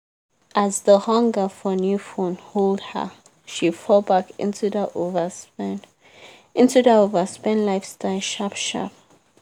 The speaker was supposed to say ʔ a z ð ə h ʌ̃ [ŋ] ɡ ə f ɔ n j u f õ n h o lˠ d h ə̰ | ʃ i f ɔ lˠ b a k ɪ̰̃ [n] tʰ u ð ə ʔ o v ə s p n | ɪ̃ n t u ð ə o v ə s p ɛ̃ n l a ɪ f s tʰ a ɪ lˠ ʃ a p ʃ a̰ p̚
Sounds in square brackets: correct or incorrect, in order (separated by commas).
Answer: correct, correct